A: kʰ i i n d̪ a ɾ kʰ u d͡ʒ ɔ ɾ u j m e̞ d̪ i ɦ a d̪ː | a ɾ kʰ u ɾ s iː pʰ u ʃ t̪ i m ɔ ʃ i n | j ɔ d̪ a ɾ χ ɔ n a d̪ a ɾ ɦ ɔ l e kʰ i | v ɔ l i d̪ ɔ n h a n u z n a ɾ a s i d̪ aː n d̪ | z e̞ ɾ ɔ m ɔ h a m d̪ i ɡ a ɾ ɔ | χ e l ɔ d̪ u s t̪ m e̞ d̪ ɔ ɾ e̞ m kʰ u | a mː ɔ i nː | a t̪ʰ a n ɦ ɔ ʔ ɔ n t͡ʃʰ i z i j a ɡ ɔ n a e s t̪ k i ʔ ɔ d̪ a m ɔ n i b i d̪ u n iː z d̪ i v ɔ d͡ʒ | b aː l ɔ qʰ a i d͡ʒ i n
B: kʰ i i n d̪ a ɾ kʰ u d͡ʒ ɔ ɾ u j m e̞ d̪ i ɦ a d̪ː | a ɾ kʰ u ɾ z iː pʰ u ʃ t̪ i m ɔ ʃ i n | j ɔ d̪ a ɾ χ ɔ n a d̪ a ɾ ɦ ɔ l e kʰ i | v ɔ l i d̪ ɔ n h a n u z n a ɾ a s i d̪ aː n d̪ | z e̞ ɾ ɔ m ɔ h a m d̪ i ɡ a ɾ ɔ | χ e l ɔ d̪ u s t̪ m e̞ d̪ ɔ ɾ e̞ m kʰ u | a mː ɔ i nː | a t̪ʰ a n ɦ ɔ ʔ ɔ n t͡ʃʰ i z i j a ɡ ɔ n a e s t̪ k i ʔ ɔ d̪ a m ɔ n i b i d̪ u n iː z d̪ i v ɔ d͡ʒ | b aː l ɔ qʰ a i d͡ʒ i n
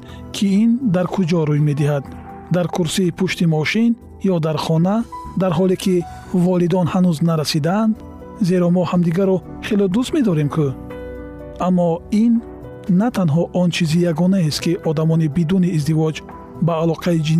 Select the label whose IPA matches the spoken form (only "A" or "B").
A